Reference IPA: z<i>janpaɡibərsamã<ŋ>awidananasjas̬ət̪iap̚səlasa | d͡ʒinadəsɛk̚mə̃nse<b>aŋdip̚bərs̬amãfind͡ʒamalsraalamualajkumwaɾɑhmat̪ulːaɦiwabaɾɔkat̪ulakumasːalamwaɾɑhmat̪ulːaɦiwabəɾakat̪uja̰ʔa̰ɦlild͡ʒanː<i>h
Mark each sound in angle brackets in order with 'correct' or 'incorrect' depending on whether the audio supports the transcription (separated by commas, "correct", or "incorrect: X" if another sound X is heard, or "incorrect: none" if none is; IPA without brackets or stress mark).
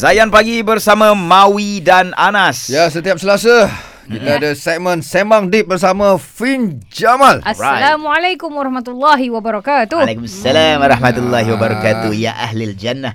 incorrect: a, incorrect: m, incorrect: m, incorrect: a